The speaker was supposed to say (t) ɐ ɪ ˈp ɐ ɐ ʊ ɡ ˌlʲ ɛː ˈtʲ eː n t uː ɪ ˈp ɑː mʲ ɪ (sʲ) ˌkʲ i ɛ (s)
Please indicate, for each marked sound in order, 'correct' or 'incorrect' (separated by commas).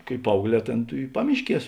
incorrect, incorrect, correct